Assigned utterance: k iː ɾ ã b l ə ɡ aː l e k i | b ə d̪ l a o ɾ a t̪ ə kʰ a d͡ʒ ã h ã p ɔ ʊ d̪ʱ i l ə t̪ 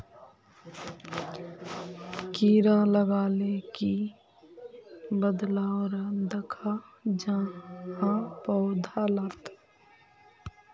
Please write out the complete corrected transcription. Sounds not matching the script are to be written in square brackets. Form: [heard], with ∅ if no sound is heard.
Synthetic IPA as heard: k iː ɾ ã [∅] l ə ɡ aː l e k i | b ə d̪ l a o ɾ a [d̪] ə kʰ a d͡ʒ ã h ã p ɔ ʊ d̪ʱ [a] l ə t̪